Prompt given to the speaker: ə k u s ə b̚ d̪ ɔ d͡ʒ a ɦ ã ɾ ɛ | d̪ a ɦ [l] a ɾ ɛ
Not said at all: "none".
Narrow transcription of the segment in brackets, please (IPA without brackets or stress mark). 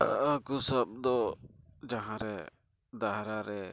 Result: ɾ